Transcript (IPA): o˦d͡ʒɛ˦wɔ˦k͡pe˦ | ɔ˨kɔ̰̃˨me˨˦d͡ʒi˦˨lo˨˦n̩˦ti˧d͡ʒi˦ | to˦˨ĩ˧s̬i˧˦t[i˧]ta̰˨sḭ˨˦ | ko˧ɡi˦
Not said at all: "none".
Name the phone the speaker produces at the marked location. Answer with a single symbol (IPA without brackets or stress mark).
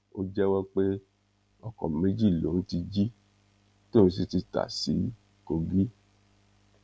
i˧